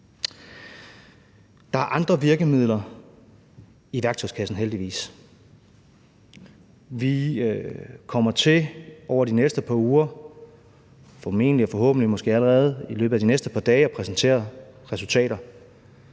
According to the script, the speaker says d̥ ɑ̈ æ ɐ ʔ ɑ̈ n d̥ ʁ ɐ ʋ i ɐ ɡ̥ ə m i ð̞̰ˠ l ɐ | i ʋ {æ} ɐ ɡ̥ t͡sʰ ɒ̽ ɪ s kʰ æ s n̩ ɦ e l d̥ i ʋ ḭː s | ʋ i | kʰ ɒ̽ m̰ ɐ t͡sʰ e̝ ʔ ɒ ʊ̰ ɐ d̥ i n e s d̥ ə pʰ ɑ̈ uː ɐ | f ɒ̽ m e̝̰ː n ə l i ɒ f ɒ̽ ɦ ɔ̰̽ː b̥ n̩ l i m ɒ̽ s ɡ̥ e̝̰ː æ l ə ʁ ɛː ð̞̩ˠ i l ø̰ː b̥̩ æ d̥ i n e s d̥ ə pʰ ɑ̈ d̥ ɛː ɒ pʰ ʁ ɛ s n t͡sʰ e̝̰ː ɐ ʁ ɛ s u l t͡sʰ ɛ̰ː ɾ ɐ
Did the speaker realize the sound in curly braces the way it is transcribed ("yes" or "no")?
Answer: yes